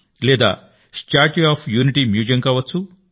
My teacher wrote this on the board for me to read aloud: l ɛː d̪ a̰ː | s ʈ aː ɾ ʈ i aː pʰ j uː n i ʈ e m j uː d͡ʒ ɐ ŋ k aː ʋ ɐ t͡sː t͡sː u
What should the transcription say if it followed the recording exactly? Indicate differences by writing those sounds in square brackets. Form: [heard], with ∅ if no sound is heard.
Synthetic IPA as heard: l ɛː d̪ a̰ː | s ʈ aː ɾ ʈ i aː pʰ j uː n i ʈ [i] m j uː d͡ʒ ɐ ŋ k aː ʋ ɐ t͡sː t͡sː u